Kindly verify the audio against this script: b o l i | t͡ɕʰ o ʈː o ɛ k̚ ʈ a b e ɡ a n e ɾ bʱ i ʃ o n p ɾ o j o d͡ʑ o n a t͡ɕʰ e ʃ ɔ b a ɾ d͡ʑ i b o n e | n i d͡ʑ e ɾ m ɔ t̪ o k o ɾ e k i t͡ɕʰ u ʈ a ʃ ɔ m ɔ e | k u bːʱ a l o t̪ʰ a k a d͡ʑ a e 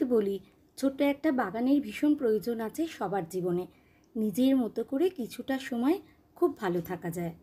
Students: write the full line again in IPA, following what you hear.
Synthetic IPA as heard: b o l i | t͡ɕʰ o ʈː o ɛ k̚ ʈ a b a ɡ a n e ɾ bʱ i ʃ o n p ɾ o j o d͡ʑ o n a t͡ɕʰ e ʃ ɔ b a ɾ d͡ʑ i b o n e | n i d͡ʑ e ɾ m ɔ t̪ o k o ɾ e k i t͡ɕʰ u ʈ a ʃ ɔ m ɔ e | kʰ u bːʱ a l o t̪ʰ a k a d͡ʑ a e

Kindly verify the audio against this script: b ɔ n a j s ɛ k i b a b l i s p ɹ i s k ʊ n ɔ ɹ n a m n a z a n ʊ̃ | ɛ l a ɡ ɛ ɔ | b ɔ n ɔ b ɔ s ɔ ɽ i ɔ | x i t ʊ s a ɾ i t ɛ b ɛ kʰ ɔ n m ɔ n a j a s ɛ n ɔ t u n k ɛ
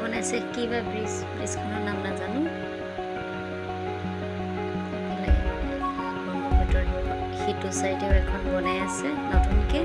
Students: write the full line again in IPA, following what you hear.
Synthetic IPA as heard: b ɔ n a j s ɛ k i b a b ɹ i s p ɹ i s k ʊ n ɔ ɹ n a m n a z a n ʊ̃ | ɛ l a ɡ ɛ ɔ | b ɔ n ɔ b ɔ t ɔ ɹ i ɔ | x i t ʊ s a ɹ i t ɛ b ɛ kʰ ɔ n b ɔ n a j a s ɛ n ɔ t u n k ɛ

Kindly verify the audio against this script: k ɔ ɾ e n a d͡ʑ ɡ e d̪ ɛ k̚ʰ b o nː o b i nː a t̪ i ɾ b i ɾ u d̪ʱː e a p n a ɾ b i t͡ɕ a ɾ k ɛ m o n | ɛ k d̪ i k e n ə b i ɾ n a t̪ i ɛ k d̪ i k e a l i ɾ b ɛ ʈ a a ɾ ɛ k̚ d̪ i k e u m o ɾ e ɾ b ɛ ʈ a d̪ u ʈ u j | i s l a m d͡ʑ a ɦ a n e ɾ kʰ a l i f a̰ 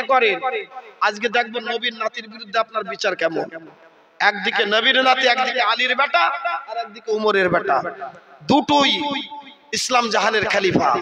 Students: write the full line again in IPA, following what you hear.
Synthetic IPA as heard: k ɔ ɾ e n a d͡ʑ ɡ e d̪ ɛ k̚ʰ b o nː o b i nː a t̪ i ɾ b i ɾ u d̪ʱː e a p n a ɾ b i t͡ɕ a ɾ k ɛ m o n | ɛ k d̪ i k e n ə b i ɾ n a t̪ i ɛ k d̪ i k e a l i ɾ b ɛ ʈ a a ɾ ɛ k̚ d̪ i k e u m o ɾ e ɾ b ɛ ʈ a d̪ u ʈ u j | i s l a m d͡ʑ a ɦ a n e ɾ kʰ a l i f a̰

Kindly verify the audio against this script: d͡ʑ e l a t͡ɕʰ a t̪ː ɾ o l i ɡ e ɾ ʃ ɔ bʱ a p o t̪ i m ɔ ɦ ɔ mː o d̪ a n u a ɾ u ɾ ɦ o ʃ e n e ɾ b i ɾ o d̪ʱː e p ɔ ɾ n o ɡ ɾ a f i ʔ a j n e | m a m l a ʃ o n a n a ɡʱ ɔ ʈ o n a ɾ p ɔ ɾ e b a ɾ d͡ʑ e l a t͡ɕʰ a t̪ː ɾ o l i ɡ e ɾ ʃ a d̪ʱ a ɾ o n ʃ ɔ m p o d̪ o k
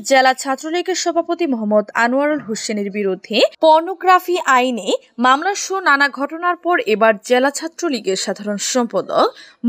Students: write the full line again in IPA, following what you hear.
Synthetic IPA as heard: d͡ʑ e l a t͡ɕʰ a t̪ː ɾ o l i ɡ e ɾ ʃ ɔ bʱ a p o t̪ i m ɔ ɦ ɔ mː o d̪ a n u a ɾ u l ɦ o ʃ e n e ɾ b i ɾ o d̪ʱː e p ɔ ɾ n o ɡ ɾ a f i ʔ a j n e | m a m l a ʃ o n a n a ɡʱ ɔ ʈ o n a ɾ p ɔ ɾ e b a ɾ d͡ʑ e l a t͡ɕʰ a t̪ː ɾ o l i ɡ e ɾ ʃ a d̪ʱ a ɾ o n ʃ ɔ m p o d̪ o k

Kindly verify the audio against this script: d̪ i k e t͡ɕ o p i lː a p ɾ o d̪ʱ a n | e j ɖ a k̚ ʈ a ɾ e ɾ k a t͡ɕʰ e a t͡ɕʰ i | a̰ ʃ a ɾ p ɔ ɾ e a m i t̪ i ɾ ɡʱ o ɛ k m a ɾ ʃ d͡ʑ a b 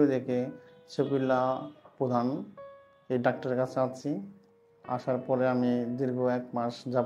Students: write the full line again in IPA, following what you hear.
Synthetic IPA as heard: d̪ e k e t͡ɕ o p i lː a p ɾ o d̪ʱ a n | e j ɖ a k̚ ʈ a ɾ e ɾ k a t͡ɕʰ e a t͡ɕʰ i | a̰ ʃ a ɾ p ɔ ɾ e a m i d̪ i ɾ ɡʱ o ɛ k m a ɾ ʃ d͡ʑ a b

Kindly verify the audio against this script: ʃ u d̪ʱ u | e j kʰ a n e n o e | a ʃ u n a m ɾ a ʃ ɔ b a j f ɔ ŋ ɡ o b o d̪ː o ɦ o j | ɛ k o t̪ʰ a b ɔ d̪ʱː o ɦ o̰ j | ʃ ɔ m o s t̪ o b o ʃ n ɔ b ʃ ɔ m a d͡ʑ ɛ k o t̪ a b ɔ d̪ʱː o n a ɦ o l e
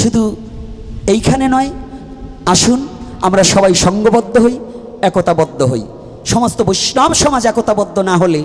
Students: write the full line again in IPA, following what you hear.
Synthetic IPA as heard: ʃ u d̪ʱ u | e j kʰ a n e n ɔ e | a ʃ u n a m ɾ a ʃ ɔ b a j ʃ ɔ ŋ ɡ o b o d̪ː o ɦ o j | ɛ k o t̪ a b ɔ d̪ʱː o ɦ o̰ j | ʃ ɔ m o s t̪ o b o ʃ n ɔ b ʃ ɔ m a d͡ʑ ɛ k o t̪ a b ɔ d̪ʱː o n a ɦ o l e

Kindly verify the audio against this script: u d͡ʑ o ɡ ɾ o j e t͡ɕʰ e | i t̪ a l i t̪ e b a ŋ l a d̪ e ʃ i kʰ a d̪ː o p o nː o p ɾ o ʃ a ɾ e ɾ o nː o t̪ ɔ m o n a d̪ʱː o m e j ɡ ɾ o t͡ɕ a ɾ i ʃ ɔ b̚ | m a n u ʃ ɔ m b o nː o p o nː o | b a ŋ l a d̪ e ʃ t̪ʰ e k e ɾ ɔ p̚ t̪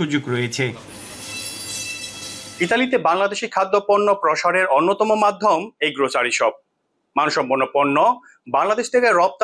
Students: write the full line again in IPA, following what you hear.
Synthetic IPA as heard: u d͡ʑ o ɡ ɾ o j e t͡ɕʰ e | i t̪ a l i t̪ e b a ŋ l a d̪ e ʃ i kʰ a d̪ː o p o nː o p ɾ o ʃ a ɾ e ɾ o nː o t̪ ɔ m o m a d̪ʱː o m e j ɡ ɾ o t͡ɕ a ɾ i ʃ ɔ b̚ | m a n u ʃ ɔ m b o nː o p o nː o | b a ŋ l a d̪ e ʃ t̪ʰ e k e ɾ ɔ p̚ t̪

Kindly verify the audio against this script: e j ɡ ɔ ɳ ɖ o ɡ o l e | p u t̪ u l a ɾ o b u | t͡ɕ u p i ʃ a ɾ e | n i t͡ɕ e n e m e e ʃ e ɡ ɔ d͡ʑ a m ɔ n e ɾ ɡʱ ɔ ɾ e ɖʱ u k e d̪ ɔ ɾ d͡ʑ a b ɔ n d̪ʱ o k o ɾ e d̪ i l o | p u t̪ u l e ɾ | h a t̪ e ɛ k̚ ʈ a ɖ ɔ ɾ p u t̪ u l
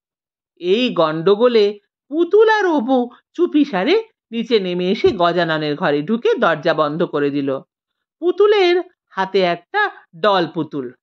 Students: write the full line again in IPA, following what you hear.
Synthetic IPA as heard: e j ɡ ɔ ɳ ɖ o ɡ o l e | p u t̪ u l a ɾ o b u | t͡ɕ u p i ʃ a ɾ e | n i t͡ɕ e n e m e e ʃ e ɡ ɔ d͡ʑ a n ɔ n e ɾ ɡʱ ɔ ɾ e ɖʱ u k e d̪ ɔ ɾ d͡ʑ a b ɔ n d̪ʱ o k o ɾ e d̪ i l o | p u t̪ u l e ɾ | h a t̪ e ɛ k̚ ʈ a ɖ ɔ l p u t̪ u l

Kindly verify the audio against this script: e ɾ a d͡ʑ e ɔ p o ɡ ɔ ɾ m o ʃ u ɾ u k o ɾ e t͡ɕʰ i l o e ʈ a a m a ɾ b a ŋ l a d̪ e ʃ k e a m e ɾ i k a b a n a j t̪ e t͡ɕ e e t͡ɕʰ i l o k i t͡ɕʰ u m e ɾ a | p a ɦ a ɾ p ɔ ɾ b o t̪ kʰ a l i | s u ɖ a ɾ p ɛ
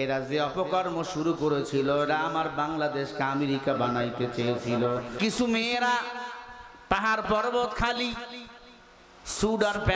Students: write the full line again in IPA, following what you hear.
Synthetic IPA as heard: e ɾ a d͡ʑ e ɔ p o k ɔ ɾ m o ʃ u ɾ u k o ɾ e t͡ɕʰ i l o e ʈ a a m a ɾ b a ŋ l a d̪ e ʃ k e a m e ɾ i k a b a n a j t̪ e t͡ɕ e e t͡ɕʰ i l o k i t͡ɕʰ u m e ɾ a | p a ɦ a ɾ p ɔ ɾ b o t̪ kʰ a l i | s u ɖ a ɾ p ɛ

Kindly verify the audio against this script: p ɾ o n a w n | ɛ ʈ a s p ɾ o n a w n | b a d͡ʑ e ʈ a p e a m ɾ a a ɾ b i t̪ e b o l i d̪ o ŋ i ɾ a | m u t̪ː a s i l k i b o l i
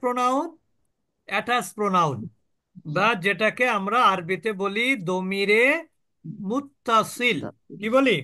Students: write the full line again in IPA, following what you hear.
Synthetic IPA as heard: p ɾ o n a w n | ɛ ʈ a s p ɾ o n a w n | b a d͡ʑ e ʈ a k e a m ɾ a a ɾ b i t̪ e b o l i d̪ o m i ɾ e | m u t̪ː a s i l k i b o l i

